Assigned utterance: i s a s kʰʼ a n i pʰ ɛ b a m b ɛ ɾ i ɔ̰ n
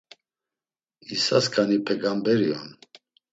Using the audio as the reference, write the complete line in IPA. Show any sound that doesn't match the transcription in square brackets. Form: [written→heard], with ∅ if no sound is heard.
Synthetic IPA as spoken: i s a s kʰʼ a n i pʰ ɛ [b→ɡ] a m b ɛ ɾ i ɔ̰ n